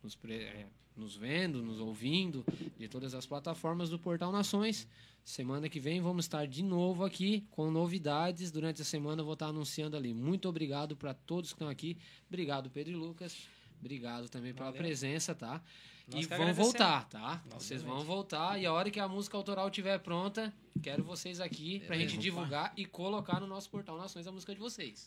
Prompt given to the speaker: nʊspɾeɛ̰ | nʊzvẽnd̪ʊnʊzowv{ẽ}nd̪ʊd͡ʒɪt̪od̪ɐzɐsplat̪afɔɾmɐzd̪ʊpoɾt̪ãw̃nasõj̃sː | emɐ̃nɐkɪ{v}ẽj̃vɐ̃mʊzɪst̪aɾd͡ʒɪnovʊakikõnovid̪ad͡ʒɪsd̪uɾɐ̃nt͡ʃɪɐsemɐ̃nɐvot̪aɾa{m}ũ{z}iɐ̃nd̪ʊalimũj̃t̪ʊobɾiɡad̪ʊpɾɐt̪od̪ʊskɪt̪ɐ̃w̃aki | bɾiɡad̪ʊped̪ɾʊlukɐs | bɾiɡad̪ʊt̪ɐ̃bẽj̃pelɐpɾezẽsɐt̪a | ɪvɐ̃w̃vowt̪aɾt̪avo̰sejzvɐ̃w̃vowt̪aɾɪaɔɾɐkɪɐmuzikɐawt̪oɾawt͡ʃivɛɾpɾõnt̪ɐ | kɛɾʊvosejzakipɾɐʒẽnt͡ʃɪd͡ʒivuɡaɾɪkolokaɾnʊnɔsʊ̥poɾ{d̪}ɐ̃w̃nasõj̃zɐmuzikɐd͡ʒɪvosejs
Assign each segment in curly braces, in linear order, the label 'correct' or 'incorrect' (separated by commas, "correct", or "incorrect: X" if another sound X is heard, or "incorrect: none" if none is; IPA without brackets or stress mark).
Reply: incorrect: ĩ, correct, incorrect: n, incorrect: s, incorrect: t̪